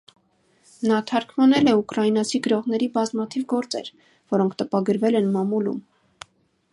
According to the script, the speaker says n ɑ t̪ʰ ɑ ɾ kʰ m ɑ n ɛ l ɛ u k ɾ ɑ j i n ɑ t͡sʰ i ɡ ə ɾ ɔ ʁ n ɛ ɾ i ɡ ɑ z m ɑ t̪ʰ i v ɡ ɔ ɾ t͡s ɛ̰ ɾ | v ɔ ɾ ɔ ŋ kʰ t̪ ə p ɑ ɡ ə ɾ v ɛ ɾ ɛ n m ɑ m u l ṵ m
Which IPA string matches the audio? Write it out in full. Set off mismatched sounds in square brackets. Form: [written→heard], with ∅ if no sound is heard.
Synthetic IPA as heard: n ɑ t̪ʰ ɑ ɾ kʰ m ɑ n ɛ l ɛ u k ɾ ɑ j i n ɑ t͡sʰ i ɡ ə ɾ ɔ ʁ n ɛ ɾ i [ɡ→b] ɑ z m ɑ t̪ʰ i v ɡ ɔ ɾ t͡s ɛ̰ ɾ | v ɔ ɾ ɔ ŋ kʰ t̪ ə p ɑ ɡ ə ɾ v ɛ [ɾ→l] ɛ n m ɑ m u l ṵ m

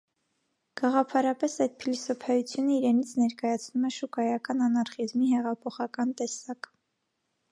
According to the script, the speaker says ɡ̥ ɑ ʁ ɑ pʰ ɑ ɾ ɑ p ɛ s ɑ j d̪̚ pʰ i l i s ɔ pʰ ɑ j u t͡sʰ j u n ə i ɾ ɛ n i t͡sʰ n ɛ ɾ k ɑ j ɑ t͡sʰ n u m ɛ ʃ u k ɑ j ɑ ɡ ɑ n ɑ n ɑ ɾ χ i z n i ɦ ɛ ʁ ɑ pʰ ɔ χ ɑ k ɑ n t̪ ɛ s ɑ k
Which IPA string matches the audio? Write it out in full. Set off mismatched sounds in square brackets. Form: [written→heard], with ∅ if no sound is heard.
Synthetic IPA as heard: ɡ̥ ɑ ʁ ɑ pʰ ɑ ɾ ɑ p ɛ s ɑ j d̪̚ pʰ i l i s ɔ pʰ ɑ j u t͡sʰ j u n ə i ɾ ɛ n i t͡sʰ n ɛ ɾ k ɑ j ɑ t͡sʰ n u m ɛ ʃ u k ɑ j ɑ [ɡ→k] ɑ n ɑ n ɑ ɾ χ i z [n→m] i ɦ ɛ ʁ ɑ pʰ ɔ χ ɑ k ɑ n t̪ ɛ s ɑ k

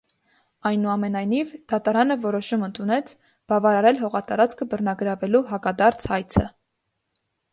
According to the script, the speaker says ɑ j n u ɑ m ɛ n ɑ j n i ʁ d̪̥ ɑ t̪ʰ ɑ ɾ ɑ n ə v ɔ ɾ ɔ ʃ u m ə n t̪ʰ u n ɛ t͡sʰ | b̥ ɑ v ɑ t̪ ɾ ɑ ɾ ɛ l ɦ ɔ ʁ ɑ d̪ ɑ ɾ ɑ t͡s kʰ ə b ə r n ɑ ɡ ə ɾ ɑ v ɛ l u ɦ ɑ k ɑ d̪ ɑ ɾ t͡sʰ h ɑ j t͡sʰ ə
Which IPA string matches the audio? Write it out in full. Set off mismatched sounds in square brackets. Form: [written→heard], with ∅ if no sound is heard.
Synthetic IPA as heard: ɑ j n u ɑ m ɛ n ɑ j n i [ʁ→v] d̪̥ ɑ [t̪ʰ→t̪] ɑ ɾ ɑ n ə v ɔ ɾ ɔ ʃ u m ə n t̪ʰ u n ɛ t͡sʰ | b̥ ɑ v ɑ [t̪→∅] ɾ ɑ ɾ ɛ l ɦ ɔ ʁ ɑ [d̪→t̪] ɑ ɾ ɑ t͡s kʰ ə b ə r n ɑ ɡ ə ɾ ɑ v ɛ l u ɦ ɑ k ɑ d̪ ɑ ɾ t͡sʰ h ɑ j t͡sʰ ə

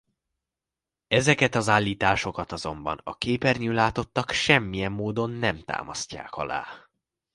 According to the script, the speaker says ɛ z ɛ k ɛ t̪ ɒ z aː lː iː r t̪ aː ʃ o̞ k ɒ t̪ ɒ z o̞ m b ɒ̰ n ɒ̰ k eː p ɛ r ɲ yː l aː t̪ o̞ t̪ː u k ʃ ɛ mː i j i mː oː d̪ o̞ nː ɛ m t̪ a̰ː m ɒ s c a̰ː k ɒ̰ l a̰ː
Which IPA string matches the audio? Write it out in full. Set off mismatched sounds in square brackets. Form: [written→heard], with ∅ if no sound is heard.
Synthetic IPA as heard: ɛ z ɛ k ɛ t̪ ɒ z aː lː iː [r→∅] t̪ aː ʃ o̞ k ɒ t̪ ɒ z o̞ m b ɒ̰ n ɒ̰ k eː p ɛ r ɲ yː l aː t̪ o̞ t̪ː [u→ɒ] k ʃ ɛ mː i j [i→ɛ] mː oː d̪ o̞ nː ɛ m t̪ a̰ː m ɒ s c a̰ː k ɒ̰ l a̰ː

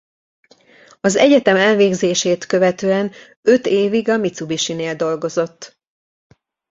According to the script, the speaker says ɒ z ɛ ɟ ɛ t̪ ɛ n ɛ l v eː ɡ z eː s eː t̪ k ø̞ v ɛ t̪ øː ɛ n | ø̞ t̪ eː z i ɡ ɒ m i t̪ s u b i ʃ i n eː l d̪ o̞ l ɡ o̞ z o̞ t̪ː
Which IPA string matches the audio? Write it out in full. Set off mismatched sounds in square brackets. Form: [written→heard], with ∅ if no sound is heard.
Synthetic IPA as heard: ɒ z ɛ ɟ ɛ t̪ ɛ [n→m] ɛ l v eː ɡ z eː [s→ʃ] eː t̪ k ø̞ v ɛ t̪ øː ɛ n | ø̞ t̪ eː [z→v] i ɡ ɒ m i t̪ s u b i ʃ i n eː l d̪ o̞ l ɡ o̞ z o̞ t̪ː

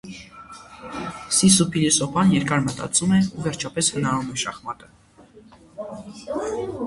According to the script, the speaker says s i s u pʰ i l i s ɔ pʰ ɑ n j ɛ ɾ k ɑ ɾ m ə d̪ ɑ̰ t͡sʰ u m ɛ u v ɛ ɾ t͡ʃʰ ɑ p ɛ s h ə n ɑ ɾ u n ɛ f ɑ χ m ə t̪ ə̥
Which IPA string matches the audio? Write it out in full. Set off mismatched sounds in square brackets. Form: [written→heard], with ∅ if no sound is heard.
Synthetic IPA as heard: s i s u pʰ i l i s ɔ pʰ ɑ n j ɛ ɾ k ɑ ɾ m ə [d̪→t̪] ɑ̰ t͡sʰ u m ɛ u v ɛ ɾ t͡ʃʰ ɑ p ɛ s h ə n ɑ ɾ u [n→m] ɛ [f→ʃ] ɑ χ m [ə→ɑ] t̪ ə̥

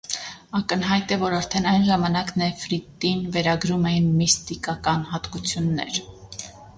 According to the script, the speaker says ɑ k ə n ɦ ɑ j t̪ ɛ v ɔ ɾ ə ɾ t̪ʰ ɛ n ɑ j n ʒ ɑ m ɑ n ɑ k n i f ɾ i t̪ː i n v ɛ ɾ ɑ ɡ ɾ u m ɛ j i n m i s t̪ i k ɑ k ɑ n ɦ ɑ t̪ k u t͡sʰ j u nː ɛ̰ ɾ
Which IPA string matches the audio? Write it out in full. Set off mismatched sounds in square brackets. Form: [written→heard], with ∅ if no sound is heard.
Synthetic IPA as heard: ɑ k ə n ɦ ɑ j t̪ ɛ v ɔ ɾ [ə→ɑ] ɾ t̪ʰ ɛ n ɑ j n ʒ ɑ m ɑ n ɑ k n [i→ɛ] f ɾ i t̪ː i n v ɛ ɾ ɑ ɡ ɾ u m ɛ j i n m i s t̪ i k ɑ k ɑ n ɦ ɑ t̪ k u t͡sʰ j u nː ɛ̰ ɾ

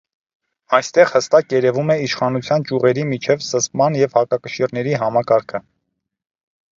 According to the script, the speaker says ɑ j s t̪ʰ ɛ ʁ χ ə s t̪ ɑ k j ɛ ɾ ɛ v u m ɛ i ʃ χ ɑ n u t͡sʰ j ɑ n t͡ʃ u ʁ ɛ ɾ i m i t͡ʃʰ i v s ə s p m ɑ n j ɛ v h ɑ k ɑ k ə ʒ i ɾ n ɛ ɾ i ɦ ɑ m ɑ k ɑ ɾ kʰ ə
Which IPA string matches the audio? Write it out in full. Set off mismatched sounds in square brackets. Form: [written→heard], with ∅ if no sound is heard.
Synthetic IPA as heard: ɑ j s [t̪ʰ→t̪] ɛ ʁ [χ→h] ə s t̪ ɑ k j ɛ ɾ ɛ v u m ɛ i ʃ χ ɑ n u t͡sʰ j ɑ n t͡ʃ u ʁ ɛ ɾ i m i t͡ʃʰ [i→ɛ] v s ə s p m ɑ n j ɛ v h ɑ k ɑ k ə [ʒ→ʃ] i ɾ n ɛ ɾ i ɦ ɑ m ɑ k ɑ ɾ kʰ ə

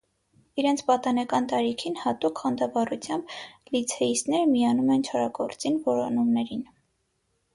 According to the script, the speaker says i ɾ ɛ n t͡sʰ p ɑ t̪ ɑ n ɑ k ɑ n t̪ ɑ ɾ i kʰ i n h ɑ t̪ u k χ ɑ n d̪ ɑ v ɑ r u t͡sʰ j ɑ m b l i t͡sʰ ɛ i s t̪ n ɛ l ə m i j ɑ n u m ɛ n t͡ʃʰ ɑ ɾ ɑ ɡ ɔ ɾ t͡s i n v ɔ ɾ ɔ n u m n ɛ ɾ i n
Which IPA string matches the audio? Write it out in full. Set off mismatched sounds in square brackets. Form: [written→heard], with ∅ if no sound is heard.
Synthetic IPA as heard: i ɾ ɛ n t͡sʰ p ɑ t̪ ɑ n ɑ k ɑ n t̪ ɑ ɾ i kʰ i n h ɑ t̪ u k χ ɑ n d̪ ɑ v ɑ r u t͡sʰ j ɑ m b l i t͡sʰ ɛ i s t̪ n ɛ [l→ɾ] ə m i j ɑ n u m ɛ n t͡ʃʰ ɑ ɾ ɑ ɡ ɔ ɾ t͡s i n v ɔ ɾ ɔ n u m n ɛ ɾ i n

